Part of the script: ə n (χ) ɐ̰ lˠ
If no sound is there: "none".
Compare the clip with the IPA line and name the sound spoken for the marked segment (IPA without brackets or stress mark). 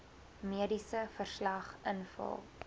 f